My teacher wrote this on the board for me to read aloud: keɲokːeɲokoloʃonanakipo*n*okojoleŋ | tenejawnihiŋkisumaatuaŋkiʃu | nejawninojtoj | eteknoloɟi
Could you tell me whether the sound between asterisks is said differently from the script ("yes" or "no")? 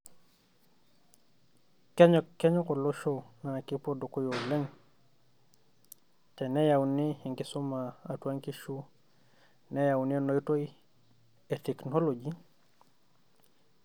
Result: yes